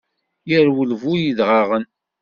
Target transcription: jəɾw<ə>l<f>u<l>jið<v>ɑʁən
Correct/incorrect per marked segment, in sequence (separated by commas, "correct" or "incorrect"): correct, incorrect, incorrect, incorrect